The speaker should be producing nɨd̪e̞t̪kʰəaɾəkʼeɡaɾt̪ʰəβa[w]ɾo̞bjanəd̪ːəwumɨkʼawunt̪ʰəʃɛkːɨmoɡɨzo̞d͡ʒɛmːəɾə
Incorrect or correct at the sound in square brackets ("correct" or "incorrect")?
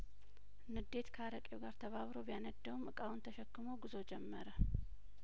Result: incorrect